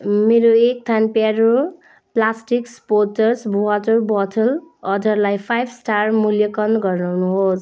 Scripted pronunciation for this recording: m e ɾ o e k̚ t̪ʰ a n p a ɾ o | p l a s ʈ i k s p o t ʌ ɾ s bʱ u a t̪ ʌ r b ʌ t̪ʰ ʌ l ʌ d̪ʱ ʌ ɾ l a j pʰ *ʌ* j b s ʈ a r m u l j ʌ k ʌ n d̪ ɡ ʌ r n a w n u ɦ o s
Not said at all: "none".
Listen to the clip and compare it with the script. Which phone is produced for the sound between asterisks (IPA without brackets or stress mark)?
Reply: a